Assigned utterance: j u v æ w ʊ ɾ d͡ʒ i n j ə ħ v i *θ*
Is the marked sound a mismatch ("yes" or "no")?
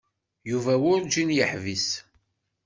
yes